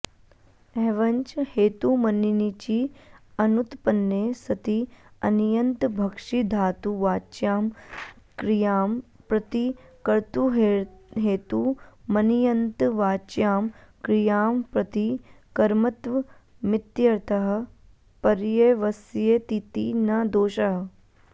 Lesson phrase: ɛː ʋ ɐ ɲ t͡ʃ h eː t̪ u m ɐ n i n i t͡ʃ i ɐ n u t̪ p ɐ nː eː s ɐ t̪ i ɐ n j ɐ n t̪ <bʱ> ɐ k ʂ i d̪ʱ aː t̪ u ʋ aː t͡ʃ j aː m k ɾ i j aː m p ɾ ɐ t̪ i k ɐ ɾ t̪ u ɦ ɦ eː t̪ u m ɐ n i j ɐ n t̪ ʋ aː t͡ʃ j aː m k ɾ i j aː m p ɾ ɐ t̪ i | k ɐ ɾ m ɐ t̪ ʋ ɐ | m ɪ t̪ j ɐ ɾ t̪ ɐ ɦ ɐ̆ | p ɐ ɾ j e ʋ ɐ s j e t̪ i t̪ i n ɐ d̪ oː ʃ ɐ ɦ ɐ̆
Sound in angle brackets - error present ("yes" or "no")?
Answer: no